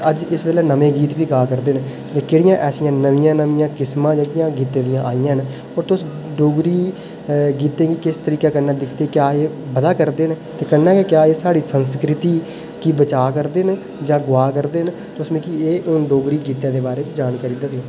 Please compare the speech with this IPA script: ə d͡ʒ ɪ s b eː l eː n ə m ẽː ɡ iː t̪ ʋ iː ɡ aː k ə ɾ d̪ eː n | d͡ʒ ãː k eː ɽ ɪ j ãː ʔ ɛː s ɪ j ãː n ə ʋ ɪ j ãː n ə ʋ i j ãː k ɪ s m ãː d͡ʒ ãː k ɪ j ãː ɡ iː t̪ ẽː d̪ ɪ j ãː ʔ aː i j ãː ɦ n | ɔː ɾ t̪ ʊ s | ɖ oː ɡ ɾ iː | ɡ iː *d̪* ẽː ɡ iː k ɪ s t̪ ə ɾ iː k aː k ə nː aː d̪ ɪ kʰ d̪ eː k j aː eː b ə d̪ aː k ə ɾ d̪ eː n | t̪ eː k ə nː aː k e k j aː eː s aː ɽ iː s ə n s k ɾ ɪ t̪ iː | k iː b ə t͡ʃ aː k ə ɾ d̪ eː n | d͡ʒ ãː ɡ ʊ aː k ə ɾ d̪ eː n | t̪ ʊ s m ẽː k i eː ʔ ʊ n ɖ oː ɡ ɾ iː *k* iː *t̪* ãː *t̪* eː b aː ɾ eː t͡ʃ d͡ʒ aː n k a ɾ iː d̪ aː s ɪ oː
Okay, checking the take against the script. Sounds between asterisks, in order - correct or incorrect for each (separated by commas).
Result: incorrect, incorrect, correct, incorrect